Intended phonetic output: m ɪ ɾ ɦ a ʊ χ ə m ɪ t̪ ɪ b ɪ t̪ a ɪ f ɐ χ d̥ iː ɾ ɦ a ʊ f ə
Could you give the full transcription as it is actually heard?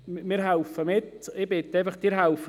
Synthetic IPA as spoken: m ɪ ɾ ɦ a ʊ f ə m ɪ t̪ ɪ b ɪ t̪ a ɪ f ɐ χ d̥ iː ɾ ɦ a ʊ f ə